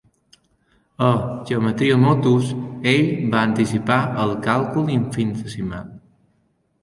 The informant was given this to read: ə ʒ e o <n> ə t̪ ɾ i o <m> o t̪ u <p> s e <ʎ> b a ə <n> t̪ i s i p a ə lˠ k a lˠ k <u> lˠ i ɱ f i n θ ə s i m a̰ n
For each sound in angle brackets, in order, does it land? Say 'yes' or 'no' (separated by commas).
no, yes, no, yes, yes, yes